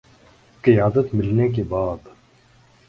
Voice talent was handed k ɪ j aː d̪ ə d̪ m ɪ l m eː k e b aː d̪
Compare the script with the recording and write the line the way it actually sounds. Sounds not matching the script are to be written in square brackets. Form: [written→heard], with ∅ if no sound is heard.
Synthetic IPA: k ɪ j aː d̪ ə [d̪→t̪] m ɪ l [m→n] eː k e b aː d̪